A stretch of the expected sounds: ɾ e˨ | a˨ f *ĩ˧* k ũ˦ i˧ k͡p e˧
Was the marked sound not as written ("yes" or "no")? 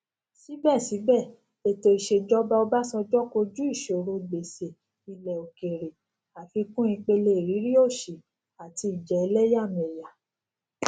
yes